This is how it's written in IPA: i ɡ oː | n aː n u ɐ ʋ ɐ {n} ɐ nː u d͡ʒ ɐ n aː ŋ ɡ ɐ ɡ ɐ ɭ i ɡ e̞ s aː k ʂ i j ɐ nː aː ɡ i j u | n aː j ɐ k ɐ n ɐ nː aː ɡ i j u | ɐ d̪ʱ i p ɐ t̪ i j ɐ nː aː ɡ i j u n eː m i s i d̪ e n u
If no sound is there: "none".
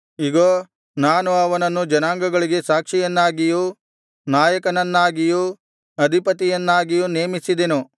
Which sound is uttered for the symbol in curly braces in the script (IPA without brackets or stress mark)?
n